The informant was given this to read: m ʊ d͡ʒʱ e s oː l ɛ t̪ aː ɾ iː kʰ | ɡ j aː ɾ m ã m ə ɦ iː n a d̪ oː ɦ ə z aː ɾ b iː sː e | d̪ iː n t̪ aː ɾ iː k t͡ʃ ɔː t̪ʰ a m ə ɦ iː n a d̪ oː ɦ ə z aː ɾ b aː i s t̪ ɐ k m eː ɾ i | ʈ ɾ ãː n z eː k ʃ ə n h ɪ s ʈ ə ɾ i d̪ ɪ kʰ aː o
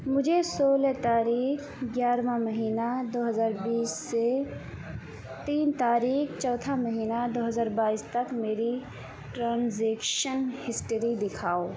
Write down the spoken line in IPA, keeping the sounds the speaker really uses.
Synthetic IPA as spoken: m ʊ d͡ʒʱ e s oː l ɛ t̪ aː ɾ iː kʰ | ɡ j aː ɾ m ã m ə ɦ iː n a d̪ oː ɦ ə z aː ɾ b iː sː e | t̪ iː n t̪ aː ɾ iː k t͡ʃ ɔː t̪ʰ a m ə ɦ iː n a d̪ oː ɦ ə z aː ɾ b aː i s t̪ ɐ k m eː ɾ i | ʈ ɾ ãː n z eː k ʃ ə n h ɪ s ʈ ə ɾ i d̪ ɪ kʰ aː o

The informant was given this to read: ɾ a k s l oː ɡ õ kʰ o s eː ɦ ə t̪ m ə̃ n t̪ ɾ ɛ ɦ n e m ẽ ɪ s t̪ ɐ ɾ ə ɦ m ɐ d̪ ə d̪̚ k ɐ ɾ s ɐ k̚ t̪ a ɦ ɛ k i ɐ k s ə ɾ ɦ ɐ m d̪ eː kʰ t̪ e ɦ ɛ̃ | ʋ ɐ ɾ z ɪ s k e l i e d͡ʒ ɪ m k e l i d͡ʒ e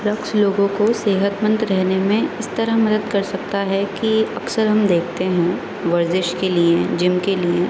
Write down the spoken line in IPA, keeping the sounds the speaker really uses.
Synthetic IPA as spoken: ɾ ɐ k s l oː ɡ õ k o s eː ɦ ə t̪ m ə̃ n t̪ ɾ ɛ ɦ n e m ẽ ɪ s t̪ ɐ ɾ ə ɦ m ɐ d̪ ə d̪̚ k ɐ ɾ s ɐ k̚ t̪ a ɦ ɛ k i ɐ k s ə ɾ ɦ ɐ m d̪ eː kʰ t̪ e ɦ ɛ̃ | ʋ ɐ ɾ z ɪ ʃ k e l i e d͡ʒ ɪ m k e l i e

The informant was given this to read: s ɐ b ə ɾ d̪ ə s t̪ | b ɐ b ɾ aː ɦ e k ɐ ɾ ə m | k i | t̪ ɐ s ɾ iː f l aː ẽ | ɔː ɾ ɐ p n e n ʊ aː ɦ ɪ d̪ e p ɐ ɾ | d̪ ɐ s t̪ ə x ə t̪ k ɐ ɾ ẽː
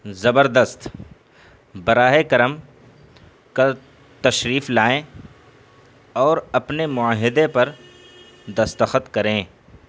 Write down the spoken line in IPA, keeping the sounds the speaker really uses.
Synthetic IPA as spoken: z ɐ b ə ɾ d̪ ə s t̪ | b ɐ ɾ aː ɦ e k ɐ ɾ ə m | k a | t̪ ɐ ʃ ɾ iː f l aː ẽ | ɔː ɾ ɐ p n e m ʊ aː ɦ ɪ d̪ e p ɐ ɾ | d̪ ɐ s t̪ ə x ə t̪ k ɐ ɾ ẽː

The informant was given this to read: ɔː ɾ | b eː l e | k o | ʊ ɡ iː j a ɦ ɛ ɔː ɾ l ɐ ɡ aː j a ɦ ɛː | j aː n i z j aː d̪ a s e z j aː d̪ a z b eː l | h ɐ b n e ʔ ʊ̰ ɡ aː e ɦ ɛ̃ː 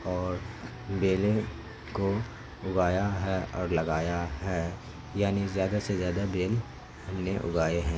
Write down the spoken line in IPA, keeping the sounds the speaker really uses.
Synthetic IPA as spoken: ɔː ɾ | b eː l e | k o | ʊ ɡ aː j a ɦ ɛ ɔː ɾ l ɐ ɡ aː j a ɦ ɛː | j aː n i z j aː d̪ a s e z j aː d̪ a b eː l | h ɐ m n e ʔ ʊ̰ ɡ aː e ɦ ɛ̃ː

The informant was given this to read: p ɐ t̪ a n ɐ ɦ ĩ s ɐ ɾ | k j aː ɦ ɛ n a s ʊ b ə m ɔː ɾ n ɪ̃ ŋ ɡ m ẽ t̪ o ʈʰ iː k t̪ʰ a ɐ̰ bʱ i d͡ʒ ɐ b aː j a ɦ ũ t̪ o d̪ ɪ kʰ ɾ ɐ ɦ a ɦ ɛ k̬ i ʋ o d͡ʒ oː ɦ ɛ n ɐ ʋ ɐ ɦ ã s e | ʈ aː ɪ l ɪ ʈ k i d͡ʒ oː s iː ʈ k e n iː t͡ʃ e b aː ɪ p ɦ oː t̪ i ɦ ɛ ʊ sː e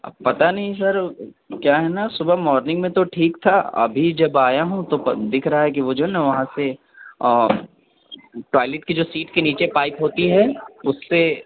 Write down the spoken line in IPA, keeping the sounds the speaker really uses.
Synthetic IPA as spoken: p ɐ t̪ a n ɐ ɦ ĩ s ɐ ɾ | k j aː ɦ ɛ n a s ʊ b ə m ɔː ɾ n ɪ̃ ŋ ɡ m ẽ t̪ o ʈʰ iː k t̪ʰ a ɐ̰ bʱ i d͡ʒ ɐ b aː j a ɦ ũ t̪ o d̪ ɪ kʰ ɾ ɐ ɦ a ɦ ɛ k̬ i ʋ o d͡ʒ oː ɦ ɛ n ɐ ʋ ɐ ɦ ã s e | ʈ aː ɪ l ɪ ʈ k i d͡ʒ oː s iː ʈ k e n iː t͡ʃ e p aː ɪ p ɦ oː t̪ i ɦ ɛ ʊ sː e

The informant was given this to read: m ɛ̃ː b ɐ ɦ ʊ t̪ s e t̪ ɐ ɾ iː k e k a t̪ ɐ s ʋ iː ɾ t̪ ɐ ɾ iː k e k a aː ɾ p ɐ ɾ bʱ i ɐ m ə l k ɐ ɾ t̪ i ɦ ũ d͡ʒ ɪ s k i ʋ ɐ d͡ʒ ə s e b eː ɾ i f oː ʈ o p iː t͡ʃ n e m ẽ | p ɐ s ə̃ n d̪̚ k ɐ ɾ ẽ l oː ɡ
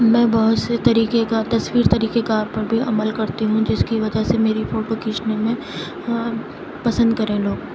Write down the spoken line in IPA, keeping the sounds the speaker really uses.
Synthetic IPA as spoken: m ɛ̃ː b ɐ ɦ ʊ t̪ s e t̪ ɐ ɾ iː k e k a t̪ ɐ s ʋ iː ɾ t̪ ɐ ɾ iː k e k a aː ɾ p ɐ ɾ bʱ i ɐ m ə l k ɐ ɾ t̪ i ɦ ũ d͡ʒ ɪ s k i ʋ ɐ d͡ʒ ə s e m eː ɾ i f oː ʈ o k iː t͡ʃ n e m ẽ | p ɐ s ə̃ n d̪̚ k ɐ ɾ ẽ l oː ɡ

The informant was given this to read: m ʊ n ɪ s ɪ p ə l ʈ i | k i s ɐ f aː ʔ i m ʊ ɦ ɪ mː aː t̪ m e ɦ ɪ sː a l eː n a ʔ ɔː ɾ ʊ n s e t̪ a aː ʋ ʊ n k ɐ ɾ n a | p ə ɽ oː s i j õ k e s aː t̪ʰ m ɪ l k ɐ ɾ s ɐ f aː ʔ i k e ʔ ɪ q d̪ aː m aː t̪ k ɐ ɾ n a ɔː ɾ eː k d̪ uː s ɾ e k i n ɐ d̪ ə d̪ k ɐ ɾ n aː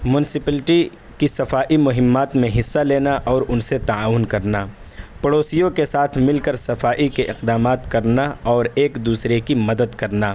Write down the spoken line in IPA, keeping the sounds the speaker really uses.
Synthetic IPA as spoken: m ʊ n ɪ s ɪ p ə l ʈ i | k i s ɐ f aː ʔ i m ʊ ɦ ɪ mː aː t̪ m ẽ ɦ ɪ sː a l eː n a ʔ ɔː ɾ ʊ n s e t̪ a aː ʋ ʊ n k ɐ ɾ n a | p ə ɽ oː s i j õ k e s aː t̪ʰ m ɪ l k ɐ ɾ s ɐ f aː ʔ i k e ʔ ɪ q d̪ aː m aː t̪ k ɐ ɾ n a ɔː ɾ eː k d̪ uː s ɾ e k i m ɐ d̪ ə d̪ k ɐ ɾ n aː

